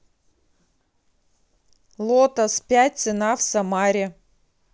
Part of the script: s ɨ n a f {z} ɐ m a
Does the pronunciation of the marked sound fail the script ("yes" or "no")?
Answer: yes